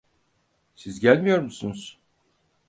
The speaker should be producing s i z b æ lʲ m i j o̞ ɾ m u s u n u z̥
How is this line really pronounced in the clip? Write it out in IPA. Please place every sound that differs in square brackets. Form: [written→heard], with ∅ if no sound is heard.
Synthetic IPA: s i z [b→ɟ] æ lʲ m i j o̞ ɾ m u s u n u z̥